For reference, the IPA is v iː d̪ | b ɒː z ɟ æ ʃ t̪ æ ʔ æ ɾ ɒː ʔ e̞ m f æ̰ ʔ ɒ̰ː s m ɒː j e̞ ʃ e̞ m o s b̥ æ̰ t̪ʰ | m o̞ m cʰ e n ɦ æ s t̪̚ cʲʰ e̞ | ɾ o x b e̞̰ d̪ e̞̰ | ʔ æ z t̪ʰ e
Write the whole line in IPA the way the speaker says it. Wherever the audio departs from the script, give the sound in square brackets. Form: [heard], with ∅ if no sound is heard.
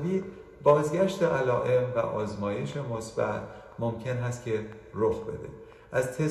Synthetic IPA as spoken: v iː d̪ | b ɒː z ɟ æ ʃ t̪ [e] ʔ æ [l] ɒː ʔ e̞ m [v] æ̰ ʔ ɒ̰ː [z] m ɒː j e̞ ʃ e̞ m o s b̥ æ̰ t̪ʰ | m o̞ m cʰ e n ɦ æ s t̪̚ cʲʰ e̞ | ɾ o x b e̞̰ d̪ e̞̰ | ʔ æ z t̪ʰ e